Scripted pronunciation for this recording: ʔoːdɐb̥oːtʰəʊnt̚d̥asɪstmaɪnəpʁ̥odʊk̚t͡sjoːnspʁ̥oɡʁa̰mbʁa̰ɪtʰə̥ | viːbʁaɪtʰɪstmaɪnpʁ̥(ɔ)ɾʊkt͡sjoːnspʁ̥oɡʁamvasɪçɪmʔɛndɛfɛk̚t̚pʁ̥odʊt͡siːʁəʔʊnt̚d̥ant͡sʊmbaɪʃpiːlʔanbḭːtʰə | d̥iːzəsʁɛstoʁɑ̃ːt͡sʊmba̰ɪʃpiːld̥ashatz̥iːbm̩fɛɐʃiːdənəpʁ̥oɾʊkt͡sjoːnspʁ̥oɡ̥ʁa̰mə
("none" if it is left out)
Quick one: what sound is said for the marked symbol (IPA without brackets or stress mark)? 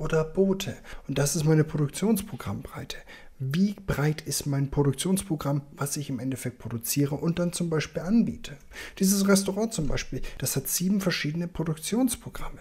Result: o